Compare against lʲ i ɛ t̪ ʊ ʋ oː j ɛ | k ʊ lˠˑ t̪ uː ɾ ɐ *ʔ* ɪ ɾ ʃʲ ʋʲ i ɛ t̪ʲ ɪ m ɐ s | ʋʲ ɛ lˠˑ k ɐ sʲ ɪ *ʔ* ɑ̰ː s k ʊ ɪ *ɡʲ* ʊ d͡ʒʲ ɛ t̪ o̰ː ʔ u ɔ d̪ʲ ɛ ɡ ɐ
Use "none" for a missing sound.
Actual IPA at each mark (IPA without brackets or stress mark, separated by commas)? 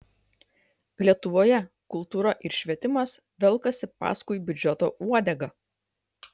ʔ, p, bʲ